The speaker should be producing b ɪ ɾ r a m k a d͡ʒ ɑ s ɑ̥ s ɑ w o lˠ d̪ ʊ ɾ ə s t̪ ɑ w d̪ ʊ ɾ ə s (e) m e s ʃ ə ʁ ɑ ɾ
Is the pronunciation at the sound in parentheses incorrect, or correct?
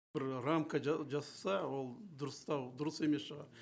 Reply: correct